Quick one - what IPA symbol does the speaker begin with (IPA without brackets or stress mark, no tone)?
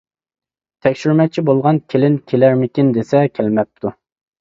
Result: t̪ʰ